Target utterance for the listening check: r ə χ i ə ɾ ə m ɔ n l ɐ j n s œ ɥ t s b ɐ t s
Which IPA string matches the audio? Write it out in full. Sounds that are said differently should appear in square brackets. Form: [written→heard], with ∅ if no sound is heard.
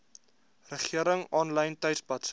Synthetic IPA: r ə χ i ə ɾ ə [m→ŋ] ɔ n l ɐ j n [s→t] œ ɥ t s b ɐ t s